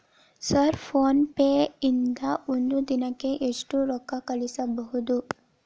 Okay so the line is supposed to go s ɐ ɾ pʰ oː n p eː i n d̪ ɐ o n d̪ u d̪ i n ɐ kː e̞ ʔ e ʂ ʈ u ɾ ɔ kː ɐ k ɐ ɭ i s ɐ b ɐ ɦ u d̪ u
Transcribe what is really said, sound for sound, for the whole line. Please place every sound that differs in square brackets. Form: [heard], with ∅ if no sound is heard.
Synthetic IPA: s ɐ ɾ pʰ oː n p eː i n d̪ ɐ o n d̪ u d̪ i n ɐ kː e̞ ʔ e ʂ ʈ u ɾ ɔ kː ɐ k ɐ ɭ i s ɐ b ɐ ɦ u d̪ u